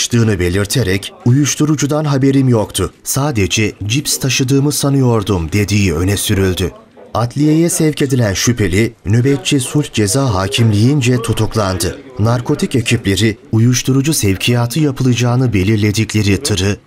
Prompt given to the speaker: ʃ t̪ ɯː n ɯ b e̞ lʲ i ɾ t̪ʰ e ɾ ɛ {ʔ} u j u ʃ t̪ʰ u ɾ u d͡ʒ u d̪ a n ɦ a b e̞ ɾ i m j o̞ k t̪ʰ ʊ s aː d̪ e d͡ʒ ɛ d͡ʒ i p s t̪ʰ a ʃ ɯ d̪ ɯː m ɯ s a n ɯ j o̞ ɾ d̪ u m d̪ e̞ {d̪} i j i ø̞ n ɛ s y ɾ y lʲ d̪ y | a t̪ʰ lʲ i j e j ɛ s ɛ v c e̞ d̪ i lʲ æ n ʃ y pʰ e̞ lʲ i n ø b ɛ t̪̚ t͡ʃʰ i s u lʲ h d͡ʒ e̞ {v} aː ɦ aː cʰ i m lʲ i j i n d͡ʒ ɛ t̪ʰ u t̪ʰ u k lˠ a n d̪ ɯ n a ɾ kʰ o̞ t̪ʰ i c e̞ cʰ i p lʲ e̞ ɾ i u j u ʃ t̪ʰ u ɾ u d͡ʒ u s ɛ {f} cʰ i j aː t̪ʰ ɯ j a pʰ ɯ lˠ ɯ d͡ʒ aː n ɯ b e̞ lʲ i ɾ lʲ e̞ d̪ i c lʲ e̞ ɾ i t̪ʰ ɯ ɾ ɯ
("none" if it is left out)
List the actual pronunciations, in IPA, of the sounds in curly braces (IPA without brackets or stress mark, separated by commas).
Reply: c, d̪, z, v